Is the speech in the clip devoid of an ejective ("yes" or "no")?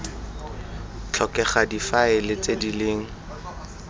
yes